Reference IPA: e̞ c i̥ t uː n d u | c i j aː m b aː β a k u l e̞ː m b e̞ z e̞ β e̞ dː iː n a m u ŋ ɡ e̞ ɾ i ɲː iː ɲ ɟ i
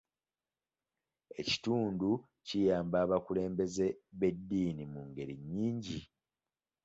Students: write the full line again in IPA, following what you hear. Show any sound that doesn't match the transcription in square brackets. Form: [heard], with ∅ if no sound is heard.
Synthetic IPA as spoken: e̞ c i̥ t uː n d u | c i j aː m b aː β a k u l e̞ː m b e̞ z e̞ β e̞ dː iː n [i] m u ŋ ɡ e̞ ɾ i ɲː iː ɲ ɟ i